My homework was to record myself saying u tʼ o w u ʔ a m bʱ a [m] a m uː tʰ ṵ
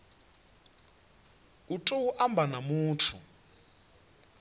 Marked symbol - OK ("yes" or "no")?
no